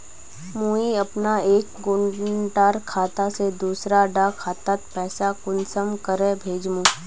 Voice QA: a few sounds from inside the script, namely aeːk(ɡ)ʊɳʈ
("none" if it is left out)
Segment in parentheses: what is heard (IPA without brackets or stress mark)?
ɡ